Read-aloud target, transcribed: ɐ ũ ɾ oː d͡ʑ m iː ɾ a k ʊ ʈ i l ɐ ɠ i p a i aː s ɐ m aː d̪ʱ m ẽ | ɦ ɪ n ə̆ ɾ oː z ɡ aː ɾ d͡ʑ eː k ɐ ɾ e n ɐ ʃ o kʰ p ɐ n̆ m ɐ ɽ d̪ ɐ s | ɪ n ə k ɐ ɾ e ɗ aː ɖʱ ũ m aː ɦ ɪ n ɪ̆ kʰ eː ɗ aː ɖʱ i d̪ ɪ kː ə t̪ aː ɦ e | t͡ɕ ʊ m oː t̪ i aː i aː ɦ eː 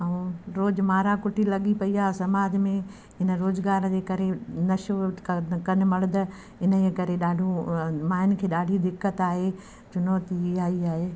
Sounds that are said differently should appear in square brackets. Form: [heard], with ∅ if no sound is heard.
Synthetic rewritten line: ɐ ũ ɾ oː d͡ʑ m [aː] ɾ a k ʊ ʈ i l ɐ ɠ i p [ɐ] i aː s ɐ m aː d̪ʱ m ẽ | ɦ ɪ n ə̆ ɾ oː z ɡ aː ɾ d͡ʑ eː k ɐ ɾ e n ɐ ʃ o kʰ [k] ɐ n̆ m ɐ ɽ d̪ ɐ [∅] | ɪ n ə k ɐ ɾ e ɗ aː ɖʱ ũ m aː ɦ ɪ n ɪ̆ kʰ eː ɗ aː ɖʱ i d̪ ɪ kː ə t̪ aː ɦ e | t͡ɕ ʊ [n] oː t̪ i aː i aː ɦ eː

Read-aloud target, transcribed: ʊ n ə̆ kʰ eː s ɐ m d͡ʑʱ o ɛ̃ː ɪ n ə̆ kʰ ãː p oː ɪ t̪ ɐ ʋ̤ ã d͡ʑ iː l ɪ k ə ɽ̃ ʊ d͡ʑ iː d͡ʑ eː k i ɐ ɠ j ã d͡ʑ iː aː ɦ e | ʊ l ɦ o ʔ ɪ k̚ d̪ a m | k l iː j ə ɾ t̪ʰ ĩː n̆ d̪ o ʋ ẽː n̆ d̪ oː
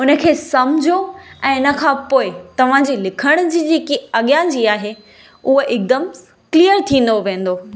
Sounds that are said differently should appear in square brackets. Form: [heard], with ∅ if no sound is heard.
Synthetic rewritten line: ʊ n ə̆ kʰ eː s ɐ m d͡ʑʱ o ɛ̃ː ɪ n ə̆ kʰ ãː p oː ɪ t̪ ɐ ʋ̤ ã d͡ʑ iː l ɪ [kʰ] ə ɽ̃ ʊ d͡ʑ iː d͡ʑ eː k i ɐ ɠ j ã d͡ʑ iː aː ɦ e | ʊ [∅] ɦ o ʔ ɪ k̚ d̪ [ə] m | k l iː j ə ɾ t̪ʰ ĩː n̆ d̪ o ʋ ẽː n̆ d̪ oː

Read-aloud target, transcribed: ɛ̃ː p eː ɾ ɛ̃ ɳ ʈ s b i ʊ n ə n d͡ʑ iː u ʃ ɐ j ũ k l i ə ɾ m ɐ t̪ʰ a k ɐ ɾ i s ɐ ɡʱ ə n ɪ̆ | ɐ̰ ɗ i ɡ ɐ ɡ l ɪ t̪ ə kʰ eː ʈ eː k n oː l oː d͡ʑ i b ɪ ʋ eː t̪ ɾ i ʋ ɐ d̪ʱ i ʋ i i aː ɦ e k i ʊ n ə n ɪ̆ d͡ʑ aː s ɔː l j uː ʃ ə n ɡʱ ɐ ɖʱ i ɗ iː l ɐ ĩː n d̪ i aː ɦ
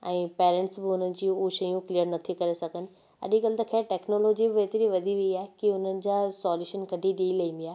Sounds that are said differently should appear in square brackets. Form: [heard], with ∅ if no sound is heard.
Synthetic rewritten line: ɛ̃ː p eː ɾ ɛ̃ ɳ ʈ s b [ɪ] ʊ n ə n d͡ʑ iː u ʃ ɐ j ũ k l i ə ɾ [n] ɐ t̪ʰ [i] k ɐ ɾ [e] s ɐ ɡʱ ə n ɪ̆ | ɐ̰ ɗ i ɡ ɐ [∅] l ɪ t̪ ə kʰ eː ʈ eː k n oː l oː d͡ʑ i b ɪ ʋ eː t̪ ɾ i ʋ ɐ d̪ʱ i ʋ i i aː ɦ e k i ʊ n ə n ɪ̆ d͡ʑ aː s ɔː l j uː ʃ ə n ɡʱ ɐ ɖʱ i ɗ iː l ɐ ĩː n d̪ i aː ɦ

